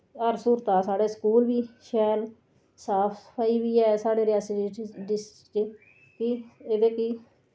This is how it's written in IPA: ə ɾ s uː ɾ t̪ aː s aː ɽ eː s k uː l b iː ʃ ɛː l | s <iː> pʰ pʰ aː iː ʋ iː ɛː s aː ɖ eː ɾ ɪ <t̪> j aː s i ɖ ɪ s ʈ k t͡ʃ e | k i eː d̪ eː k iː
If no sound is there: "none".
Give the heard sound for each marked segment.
aː, none

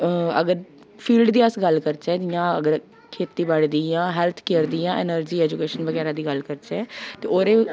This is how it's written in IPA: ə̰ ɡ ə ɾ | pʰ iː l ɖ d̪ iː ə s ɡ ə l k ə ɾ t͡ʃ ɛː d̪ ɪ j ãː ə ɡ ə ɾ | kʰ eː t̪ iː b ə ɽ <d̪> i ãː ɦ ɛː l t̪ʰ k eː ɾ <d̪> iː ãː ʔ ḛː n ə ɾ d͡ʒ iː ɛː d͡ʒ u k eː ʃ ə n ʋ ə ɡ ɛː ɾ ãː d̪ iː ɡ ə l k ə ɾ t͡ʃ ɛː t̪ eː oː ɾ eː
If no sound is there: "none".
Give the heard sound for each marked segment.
d̪, d̪

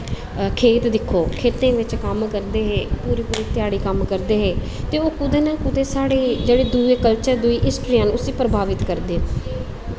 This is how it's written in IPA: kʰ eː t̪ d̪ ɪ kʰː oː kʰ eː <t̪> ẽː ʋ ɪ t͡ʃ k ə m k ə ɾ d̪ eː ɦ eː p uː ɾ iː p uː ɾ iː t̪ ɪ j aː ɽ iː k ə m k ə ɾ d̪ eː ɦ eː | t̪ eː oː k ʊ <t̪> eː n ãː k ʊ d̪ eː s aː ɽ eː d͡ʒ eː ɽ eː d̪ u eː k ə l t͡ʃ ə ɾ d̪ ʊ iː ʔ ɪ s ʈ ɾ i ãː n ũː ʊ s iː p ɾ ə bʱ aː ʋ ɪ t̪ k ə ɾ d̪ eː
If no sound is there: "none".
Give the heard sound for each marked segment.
t̪, d̪

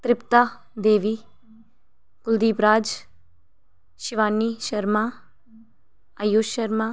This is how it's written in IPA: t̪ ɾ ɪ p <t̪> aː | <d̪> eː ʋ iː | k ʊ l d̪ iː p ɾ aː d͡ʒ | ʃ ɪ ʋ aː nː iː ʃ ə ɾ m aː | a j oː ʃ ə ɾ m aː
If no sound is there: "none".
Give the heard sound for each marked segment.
t̪, d̪

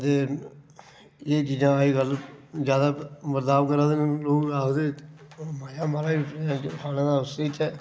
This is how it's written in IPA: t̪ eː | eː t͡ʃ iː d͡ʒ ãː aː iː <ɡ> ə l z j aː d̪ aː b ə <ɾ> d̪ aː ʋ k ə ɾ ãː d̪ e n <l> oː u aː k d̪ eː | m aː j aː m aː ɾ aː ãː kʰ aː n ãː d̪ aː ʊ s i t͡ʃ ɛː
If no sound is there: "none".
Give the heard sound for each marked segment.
ɡ, ɾ, l

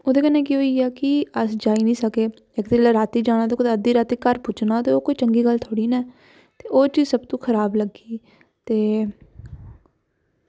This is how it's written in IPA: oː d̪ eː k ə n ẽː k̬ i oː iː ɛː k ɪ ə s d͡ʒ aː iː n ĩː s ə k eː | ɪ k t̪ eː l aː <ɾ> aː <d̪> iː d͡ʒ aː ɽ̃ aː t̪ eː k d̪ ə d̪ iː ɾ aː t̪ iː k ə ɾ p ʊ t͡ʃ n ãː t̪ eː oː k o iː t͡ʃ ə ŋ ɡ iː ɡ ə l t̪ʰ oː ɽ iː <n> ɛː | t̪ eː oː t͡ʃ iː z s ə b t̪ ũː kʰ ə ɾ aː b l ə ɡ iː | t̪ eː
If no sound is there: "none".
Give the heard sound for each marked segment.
ɾ, t̪, n

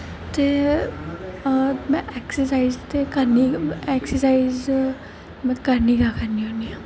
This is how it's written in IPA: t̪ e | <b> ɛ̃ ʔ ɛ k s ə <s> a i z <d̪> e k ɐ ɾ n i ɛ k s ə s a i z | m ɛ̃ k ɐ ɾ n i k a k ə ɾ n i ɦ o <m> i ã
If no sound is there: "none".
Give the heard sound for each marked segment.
m, s, t̪, n

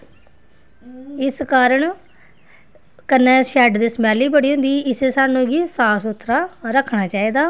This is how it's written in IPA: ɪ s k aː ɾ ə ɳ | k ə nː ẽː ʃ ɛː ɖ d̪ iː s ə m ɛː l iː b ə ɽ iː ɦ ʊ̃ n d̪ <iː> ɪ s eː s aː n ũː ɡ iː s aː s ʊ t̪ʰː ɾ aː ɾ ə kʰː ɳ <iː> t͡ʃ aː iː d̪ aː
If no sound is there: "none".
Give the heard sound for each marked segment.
iː, aː

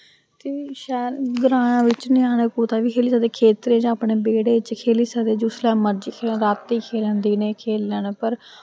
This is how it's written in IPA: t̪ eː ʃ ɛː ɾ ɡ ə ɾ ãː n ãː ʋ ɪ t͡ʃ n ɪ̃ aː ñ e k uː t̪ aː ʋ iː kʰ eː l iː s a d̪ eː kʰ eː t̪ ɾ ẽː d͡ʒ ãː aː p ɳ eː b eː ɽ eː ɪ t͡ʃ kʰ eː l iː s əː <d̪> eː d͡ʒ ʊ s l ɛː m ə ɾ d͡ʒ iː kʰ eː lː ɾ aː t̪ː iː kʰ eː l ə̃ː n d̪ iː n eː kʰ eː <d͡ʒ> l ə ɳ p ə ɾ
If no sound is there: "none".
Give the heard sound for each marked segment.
d̪, none

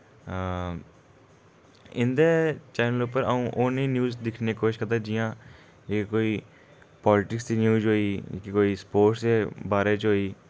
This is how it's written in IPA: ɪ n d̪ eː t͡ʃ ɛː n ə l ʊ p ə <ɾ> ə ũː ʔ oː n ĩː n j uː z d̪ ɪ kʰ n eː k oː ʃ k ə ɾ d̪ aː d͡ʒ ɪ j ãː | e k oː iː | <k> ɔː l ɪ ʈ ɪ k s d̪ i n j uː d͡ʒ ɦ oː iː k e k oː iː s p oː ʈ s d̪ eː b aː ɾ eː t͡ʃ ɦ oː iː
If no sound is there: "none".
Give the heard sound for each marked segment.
ɾ, p

